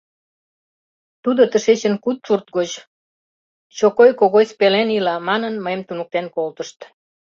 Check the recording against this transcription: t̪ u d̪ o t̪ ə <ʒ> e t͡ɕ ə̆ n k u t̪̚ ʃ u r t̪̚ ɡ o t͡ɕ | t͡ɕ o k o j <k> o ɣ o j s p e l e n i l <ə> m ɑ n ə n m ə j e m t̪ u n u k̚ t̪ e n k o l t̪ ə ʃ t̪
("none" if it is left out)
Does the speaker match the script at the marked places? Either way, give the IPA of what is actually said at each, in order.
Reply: ʃ, k, ɑ

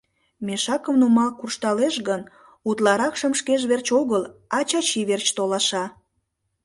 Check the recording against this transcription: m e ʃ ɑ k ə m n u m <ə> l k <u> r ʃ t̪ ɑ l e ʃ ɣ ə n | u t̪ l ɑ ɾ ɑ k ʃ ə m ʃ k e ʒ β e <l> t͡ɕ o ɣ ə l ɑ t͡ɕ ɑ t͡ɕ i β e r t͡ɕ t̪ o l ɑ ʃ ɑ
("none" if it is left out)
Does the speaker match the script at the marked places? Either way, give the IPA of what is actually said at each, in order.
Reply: ɑ, u, r

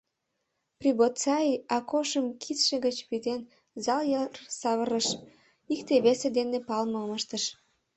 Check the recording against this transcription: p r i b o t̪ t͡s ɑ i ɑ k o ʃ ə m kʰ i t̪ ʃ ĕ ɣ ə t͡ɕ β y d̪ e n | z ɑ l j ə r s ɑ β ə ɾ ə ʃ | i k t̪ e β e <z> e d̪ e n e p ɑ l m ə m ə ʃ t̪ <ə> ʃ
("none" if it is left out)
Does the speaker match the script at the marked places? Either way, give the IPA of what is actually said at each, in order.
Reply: s, ə

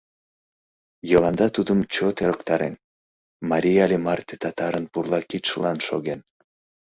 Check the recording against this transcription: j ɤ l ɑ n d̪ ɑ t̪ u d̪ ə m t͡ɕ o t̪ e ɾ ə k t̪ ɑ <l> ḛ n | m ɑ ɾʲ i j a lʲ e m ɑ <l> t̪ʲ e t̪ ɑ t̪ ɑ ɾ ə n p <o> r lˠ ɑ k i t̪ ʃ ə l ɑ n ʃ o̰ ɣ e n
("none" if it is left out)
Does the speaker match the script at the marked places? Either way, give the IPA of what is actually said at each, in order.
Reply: ɾ, r, u

